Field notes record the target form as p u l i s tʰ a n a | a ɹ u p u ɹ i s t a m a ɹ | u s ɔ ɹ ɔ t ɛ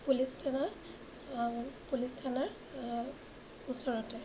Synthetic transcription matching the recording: p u l i s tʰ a n a | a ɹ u p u l i s tʰ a n a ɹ | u s ɔ ɹ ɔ t ɛ

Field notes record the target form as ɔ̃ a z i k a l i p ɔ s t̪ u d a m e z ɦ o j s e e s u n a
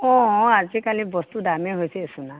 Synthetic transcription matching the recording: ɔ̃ a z i k a l i b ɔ s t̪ u d a m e ɦ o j s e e s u n a

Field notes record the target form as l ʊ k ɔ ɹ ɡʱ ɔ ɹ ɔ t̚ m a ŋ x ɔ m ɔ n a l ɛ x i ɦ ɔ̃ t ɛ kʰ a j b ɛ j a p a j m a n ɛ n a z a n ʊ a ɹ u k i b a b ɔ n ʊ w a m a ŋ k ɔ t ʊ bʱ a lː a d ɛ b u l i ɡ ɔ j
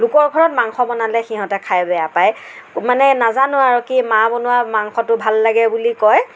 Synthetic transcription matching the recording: l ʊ k ɔ ɹ ɡʱ ɔ ɹ ɔ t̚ m a ŋ x ɔ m ɔ n a l ɛ x i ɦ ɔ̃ t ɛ kʰ a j b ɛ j a p a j m a n ɛ n a z a n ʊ a ɹ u k i m a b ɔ n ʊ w a m a ŋ x ɔ t ʊ bʱ a lː a ɡ ɛ b u l i k ɔ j

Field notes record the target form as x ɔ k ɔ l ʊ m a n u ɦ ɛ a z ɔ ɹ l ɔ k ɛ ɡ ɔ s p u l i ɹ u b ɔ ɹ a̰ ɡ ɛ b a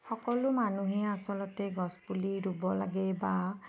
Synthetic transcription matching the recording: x ɔ k ɔ l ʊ m a n u ɦ ɛ a s ɔ l ɔ t ɛ ɡ ɔ s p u l i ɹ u b ɔ l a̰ ɡ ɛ b a

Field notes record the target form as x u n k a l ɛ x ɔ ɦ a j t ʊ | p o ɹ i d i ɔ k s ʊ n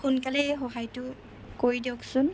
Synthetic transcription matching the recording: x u n k a l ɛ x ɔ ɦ a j t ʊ | k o ɹ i d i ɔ k s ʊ n

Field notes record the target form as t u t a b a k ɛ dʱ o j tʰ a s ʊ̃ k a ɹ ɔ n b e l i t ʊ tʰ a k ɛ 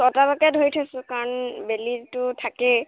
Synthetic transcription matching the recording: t ɔ t a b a k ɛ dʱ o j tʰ a s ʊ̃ k a ɹ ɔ n b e l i t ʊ tʰ a k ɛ

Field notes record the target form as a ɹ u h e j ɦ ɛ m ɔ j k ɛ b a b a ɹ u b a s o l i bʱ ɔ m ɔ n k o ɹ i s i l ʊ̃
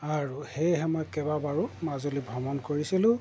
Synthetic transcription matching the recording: a ɹ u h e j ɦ ɛ m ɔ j k ɛ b a b a ɹ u m a z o l i bʱ ɔ m ɔ n k o ɹ i s i l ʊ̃

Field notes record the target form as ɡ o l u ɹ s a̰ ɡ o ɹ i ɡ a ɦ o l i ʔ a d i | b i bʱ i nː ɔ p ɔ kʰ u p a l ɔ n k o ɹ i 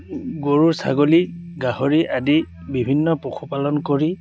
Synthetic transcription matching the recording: ɡ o ɹ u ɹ s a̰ ɡ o l i ɡ a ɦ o ɹ i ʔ a d i | b i bʱ i nː ɔ p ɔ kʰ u p a l ɔ n k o ɹ i

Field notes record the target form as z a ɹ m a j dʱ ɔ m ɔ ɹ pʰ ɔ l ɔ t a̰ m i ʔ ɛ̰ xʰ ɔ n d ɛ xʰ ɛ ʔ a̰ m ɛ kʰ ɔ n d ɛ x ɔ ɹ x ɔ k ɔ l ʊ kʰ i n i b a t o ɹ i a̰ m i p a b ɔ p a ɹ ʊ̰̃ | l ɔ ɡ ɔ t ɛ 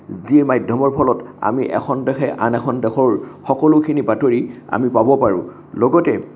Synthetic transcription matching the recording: z i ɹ m a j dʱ ɔ m ɔ ɹ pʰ ɔ l ɔ t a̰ m i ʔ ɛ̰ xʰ ɔ n d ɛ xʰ ɛ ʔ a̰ n ɛ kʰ ɔ n d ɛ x ɔ ɹ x ɔ k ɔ l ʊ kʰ i n i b a t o ɹ i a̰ m i p a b ɔ p a ɹ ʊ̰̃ | l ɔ ɡ ɔ t ɛ

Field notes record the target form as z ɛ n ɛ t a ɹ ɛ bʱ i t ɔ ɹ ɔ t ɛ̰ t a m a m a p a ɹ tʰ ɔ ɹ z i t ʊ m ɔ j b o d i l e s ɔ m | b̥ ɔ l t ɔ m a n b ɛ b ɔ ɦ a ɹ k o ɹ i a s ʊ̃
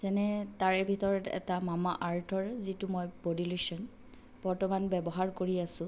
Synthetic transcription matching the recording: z ɛ n ɛ t a ɹ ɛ bʱ i t ɔ ɹ ɔ t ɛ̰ t a m a m a ʔ a ɹ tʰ ɔ ɹ z i t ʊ m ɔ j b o d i l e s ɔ n | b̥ ɔ ɹ t ɔ m a n b ɛ b ɔ ɦ a ɹ k o ɹ i a s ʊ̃

